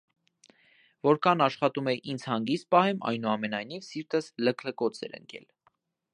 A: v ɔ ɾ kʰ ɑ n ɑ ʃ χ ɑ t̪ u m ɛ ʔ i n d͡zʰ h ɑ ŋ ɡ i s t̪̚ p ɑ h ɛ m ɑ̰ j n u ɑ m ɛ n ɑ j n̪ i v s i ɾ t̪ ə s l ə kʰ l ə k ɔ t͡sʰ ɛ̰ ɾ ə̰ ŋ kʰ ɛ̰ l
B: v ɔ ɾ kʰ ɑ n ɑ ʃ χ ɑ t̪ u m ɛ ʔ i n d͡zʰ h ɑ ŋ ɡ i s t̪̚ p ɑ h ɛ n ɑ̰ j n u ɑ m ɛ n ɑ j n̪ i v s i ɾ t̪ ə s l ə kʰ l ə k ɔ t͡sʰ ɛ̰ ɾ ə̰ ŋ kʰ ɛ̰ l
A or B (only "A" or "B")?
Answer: A